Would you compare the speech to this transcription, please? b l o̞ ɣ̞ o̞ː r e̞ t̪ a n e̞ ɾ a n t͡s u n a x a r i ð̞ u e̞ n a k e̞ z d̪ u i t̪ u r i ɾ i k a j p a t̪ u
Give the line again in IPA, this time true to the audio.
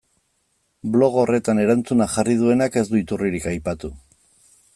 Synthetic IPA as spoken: b l o̞ ɣ̞ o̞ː r e̞ t̪ a n e̞ ɾ a n t͡s u n a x a r i ð̞ u e̞ n a k e̞ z d̪ u i t̪ u r i ɾ i k a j p a t̪ u